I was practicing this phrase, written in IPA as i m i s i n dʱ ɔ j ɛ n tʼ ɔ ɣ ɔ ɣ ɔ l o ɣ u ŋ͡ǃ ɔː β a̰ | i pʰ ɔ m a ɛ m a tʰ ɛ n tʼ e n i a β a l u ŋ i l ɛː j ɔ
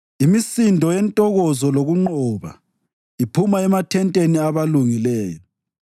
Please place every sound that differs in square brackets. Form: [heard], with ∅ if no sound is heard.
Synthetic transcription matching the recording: i m i s i n dʱ ɔ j ɛ n tʼ ɔ ɣ ɔ [z] ɔ l o ɣ u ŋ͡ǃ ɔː β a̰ | i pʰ [u] m a ɛ m a tʰ ɛ n tʼ e n i a β a l u ŋ i l ɛː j ɔ

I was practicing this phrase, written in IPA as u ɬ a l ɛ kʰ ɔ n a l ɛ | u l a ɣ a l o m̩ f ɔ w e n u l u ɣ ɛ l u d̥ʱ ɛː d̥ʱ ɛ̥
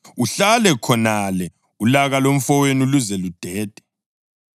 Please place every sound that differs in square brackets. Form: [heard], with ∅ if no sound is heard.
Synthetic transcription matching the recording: u ɬ a l ɛ kʰ ɔ n a l ɛ | u l a ɣ a l o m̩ f ɔ w e n u l u [z] ɛ l u d̥ʱ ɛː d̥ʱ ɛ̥

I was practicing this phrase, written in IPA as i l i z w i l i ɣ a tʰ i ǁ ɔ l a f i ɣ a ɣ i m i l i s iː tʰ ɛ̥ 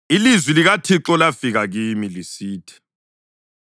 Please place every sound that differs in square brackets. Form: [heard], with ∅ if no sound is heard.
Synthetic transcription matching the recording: i l i z w i l i ɣ a tʰ i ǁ ɔ l a f i ɣ a ɣ i m i l i s iː tʰ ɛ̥

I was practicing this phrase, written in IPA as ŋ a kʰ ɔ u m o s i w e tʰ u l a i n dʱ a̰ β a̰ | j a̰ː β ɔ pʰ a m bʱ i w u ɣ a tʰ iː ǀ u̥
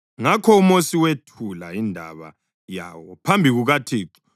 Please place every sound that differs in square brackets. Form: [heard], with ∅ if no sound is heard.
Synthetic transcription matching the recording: ŋ a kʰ ɔ u m o s i w e tʰ u l a i n dʱ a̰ β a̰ | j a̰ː [w] ɔ pʰ a m bʱ i [ɣ] u ɣ a tʰ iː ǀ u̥

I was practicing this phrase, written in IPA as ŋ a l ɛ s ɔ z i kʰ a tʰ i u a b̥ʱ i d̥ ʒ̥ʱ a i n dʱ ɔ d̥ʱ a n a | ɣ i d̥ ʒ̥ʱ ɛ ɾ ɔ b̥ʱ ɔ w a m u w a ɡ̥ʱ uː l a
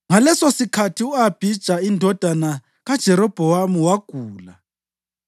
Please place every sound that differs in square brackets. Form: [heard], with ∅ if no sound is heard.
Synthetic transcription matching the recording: ŋ a l ɛ s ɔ [s] i kʰ a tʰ i u a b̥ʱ i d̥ ʒ̥ʱ a i n dʱ ɔ d̥ʱ a n a | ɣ [a] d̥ ʒ̥ʱ ɛ ɾ ɔ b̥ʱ ɔ w a m u w a ɡ̥ʱ uː l a

